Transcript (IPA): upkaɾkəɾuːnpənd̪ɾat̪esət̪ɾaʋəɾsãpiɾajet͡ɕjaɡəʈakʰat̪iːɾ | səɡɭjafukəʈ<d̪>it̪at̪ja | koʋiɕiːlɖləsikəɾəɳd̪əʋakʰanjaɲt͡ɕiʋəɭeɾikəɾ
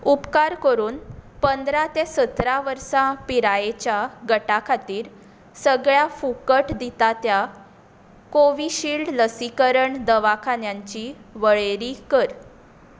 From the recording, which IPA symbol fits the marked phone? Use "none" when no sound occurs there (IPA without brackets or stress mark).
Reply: d̪